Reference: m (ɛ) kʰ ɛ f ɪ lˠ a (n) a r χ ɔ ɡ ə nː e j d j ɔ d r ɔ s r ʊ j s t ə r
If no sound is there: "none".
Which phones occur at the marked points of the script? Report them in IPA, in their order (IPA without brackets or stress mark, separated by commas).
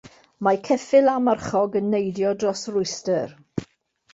a, m